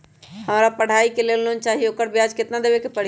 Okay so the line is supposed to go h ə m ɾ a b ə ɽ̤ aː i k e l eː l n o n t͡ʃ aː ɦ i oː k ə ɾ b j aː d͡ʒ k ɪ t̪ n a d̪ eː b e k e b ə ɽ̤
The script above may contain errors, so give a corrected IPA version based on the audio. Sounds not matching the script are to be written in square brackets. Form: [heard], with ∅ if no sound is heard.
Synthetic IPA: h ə m ɾ a [p] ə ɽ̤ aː i k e l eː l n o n t͡ʃ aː ɦ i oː k ə ɾ b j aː d͡ʒ k ɪ t̪ n a d̪ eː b e k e [p] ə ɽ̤